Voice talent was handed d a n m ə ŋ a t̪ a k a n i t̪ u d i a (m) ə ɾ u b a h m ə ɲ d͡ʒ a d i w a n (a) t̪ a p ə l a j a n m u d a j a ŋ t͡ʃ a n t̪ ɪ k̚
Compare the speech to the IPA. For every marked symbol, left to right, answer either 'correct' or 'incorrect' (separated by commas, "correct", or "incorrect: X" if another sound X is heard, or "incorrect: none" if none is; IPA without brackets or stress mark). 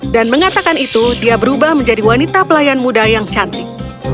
incorrect: b, incorrect: i